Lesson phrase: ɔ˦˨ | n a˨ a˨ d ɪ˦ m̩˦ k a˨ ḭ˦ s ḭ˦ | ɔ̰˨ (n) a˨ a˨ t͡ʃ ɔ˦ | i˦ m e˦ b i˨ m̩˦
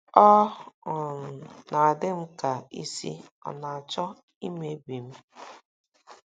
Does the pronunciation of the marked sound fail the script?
no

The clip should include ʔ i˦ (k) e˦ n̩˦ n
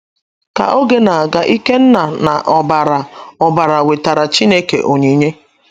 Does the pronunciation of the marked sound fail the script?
no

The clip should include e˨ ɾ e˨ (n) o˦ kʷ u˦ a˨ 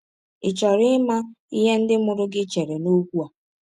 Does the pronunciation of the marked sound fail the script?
no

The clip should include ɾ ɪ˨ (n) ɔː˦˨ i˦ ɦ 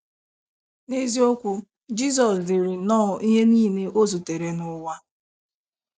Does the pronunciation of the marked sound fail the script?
no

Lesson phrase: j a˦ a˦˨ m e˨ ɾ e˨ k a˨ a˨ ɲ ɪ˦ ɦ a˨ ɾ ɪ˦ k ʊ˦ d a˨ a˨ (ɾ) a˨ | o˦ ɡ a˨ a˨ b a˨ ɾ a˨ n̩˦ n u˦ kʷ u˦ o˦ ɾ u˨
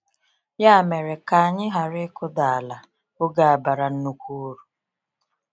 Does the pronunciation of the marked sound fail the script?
yes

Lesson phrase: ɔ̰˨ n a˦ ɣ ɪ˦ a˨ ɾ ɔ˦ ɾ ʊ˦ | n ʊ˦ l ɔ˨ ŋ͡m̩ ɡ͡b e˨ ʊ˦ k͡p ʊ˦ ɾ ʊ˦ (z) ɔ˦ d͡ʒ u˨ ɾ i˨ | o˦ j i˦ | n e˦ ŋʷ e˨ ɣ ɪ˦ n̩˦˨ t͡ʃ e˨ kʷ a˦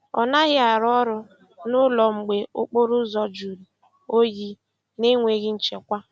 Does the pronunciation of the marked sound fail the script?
no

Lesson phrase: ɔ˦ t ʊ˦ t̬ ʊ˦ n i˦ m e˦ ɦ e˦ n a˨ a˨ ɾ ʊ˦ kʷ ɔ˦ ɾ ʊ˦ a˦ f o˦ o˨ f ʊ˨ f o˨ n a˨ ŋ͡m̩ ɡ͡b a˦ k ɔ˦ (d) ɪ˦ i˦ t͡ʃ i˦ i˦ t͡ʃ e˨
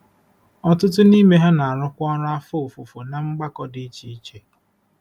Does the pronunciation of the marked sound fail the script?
no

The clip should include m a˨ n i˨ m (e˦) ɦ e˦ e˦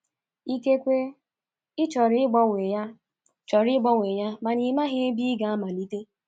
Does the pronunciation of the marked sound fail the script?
yes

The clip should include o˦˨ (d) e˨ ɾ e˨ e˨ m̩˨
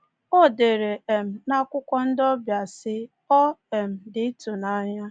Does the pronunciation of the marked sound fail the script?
no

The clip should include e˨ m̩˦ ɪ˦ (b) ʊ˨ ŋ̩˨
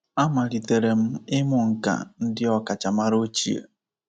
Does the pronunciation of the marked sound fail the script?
yes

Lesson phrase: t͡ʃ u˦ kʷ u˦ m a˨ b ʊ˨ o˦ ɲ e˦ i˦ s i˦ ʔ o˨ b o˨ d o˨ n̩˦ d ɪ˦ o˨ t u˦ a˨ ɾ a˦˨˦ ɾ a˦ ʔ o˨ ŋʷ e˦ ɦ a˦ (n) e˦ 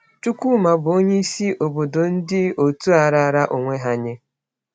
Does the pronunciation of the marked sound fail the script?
yes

